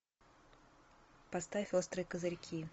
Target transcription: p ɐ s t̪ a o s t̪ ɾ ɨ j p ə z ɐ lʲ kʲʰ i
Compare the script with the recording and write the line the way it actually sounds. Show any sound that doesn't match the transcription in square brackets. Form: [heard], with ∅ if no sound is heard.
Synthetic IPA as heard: p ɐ s t̪ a o s t̪ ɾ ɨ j [k] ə z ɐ [ɾʲ] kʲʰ i